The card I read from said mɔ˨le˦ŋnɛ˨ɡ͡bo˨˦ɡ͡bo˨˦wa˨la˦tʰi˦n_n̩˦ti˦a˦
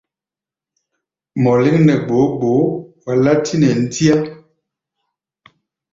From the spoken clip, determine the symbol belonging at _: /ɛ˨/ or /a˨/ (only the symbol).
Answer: ɛ˨